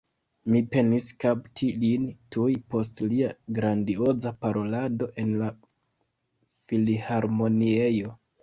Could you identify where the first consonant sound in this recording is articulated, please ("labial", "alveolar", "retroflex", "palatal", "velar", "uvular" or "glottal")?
labial